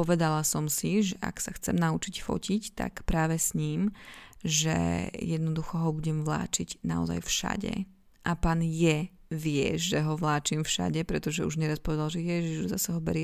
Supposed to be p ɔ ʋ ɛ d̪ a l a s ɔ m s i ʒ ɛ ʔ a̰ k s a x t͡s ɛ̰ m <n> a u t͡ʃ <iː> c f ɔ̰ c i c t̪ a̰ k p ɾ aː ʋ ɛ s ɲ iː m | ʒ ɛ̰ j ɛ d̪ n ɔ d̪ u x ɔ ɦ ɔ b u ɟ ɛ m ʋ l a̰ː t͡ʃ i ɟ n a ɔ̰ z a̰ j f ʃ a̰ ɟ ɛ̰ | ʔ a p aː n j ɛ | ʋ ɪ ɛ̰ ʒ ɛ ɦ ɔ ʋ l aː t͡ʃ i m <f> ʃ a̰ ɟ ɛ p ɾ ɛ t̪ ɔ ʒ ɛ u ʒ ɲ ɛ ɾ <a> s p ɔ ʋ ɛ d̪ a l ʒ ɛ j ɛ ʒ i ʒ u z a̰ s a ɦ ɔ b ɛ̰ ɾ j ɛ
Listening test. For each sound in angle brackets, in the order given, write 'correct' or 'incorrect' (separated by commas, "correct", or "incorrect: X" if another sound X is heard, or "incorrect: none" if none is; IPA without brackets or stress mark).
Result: correct, incorrect: i, correct, correct